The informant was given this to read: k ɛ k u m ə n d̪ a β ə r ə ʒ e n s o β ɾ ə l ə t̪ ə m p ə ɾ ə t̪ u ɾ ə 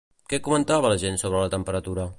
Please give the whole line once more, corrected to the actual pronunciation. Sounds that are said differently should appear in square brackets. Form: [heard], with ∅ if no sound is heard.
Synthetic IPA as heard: k ɛ k u m ə n [t̪] a β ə [l] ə ʒ e n s o β ɾ ə l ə t̪ ə m p ə ɾ ə t̪ u ɾ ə

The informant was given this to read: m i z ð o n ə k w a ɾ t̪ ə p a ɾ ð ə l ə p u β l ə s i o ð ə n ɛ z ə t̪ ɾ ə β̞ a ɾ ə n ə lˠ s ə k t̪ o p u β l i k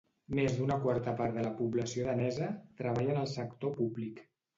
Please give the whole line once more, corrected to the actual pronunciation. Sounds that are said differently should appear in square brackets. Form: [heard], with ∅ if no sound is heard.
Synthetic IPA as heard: m [e] z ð [u] n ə k w a ɾ t̪ ə p a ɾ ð ə l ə p u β l ə s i o ð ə n ɛ z ə t̪ ɾ ə β̞ a [ʎ] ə n ə lˠ s ə k t̪ o p u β l i k

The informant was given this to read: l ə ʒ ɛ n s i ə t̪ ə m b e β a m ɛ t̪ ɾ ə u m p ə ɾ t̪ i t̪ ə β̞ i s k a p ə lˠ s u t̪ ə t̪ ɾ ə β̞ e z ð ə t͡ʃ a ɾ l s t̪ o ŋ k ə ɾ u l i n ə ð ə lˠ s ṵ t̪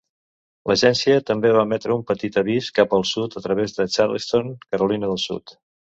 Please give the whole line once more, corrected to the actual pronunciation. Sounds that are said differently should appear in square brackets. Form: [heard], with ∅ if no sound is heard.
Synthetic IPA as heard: l ə ʒ ɛ n s i ə t̪ ə m b e β a m ɛ t̪ ɾ ə u m p ə [∅] t̪ i t̪ ə β̞ i s k a p ə lˠ s u t̪ ə t̪ ɾ ə β̞ e z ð ə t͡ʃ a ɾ l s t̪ o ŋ k ə ɾ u l i n ə ð ə lˠ s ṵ t̪

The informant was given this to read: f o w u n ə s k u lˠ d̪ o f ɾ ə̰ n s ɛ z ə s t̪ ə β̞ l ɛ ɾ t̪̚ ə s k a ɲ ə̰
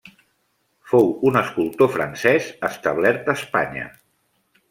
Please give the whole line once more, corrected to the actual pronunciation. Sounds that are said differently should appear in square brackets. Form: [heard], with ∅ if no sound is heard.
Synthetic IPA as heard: f o w u n ə s k u lˠ [t̪] o f ɾ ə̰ n s ɛ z ə s t̪ ə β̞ l ɛ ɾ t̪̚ ə s [p] a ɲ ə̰

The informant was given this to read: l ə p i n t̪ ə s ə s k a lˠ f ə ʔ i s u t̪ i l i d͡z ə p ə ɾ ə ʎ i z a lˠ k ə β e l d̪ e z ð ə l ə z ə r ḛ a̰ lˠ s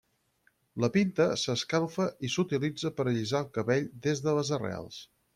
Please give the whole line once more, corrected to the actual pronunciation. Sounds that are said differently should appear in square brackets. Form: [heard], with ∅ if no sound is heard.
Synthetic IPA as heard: l ə p i n t̪ ə s ə s k a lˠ f ə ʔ i s u t̪ i l i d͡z ə p ə ɾ ə ʎ i z a lˠ k ə β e [ʎ] d̪ e z ð ə l ə z ə r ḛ a̰ lˠ s

